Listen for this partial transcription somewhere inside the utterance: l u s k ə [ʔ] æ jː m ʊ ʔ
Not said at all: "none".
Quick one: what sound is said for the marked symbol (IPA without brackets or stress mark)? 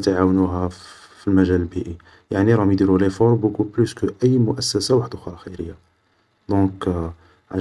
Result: ʔ